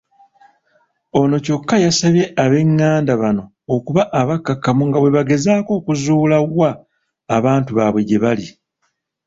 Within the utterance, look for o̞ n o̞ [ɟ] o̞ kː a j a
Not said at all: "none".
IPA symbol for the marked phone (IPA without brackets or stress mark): c